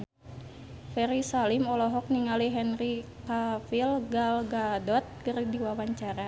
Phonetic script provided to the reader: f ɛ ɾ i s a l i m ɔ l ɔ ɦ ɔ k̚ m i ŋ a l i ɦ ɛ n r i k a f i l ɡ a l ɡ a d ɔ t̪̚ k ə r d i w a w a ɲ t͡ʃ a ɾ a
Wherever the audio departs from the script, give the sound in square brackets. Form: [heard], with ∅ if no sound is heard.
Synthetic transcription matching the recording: f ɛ ɾ i s a l i m ɔ l ɔ ɦ ɔ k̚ [n] i ŋ a l i ɦ ɛ n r i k a f i l ɡ a l ɡ a d ɔ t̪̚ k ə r d i w a w a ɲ t͡ʃ a ɾ a